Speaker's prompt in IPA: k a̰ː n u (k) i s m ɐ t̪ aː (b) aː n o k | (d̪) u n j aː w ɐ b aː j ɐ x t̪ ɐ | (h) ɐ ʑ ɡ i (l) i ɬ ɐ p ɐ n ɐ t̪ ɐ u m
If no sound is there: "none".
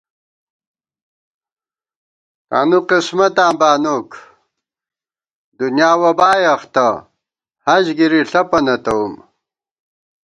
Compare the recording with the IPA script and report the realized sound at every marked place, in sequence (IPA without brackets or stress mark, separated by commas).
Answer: q, b, d̪, h, ɾ